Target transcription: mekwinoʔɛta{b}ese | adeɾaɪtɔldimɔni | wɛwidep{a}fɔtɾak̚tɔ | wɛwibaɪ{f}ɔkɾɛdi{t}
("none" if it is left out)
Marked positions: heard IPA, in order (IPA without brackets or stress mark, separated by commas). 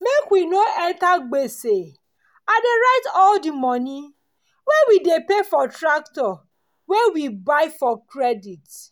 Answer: ɡ͡b, e, f, t